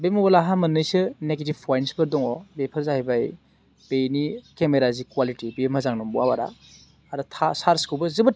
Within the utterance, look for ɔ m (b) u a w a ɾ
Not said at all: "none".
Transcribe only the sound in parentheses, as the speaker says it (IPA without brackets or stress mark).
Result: b